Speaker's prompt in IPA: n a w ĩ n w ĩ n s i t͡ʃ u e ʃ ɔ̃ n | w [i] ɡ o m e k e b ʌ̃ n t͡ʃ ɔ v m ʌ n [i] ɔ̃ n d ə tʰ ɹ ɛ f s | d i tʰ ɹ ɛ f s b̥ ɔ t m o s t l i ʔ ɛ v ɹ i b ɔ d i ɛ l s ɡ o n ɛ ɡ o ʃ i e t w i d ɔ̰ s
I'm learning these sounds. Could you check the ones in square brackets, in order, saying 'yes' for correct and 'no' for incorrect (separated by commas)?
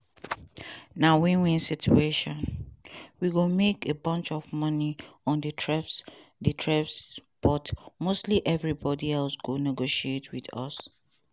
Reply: yes, yes